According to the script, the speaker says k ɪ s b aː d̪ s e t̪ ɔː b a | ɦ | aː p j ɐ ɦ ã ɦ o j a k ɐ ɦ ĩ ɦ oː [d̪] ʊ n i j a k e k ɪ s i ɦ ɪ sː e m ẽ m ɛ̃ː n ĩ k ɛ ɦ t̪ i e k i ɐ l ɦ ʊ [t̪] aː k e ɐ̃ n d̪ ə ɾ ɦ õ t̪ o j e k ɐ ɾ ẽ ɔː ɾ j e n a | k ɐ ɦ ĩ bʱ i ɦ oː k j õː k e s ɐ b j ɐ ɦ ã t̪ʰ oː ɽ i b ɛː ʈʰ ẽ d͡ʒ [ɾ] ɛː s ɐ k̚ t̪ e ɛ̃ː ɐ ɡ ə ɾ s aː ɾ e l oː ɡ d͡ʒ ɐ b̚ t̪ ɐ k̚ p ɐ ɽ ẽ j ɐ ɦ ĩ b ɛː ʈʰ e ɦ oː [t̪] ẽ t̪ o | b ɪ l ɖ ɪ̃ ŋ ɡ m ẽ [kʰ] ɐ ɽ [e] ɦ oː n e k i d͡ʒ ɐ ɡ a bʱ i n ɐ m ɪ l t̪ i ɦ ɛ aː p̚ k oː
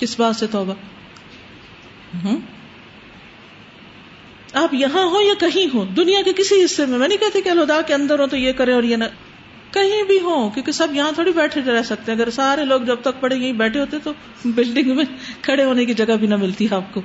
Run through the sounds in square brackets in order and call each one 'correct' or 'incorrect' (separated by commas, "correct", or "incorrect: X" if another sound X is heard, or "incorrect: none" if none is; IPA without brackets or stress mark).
correct, incorrect: d̪, correct, correct, correct, correct